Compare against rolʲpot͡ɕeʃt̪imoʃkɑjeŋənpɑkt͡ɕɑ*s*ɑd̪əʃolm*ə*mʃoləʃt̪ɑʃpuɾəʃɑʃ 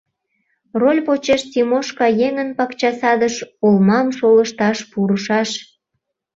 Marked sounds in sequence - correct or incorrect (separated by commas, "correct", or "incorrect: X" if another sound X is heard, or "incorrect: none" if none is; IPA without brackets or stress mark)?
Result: correct, incorrect: ɑ